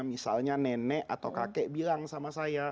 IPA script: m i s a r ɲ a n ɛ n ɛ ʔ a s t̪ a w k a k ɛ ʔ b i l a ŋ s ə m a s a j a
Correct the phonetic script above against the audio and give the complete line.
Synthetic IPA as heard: m i s a l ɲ a n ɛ n ɛ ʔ a t̪ a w k a k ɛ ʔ b i l a ŋ s a m a s a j a